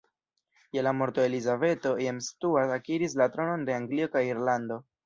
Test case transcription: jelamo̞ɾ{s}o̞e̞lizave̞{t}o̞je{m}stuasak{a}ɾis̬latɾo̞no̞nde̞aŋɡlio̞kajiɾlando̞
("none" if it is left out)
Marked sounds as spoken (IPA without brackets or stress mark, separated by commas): t, t, m, i